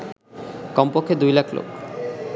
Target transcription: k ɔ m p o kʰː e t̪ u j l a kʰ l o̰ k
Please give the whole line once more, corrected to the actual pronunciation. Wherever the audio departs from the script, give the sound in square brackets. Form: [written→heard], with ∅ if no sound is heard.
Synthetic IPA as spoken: k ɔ m p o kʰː e [t̪→d̪] u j l a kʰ l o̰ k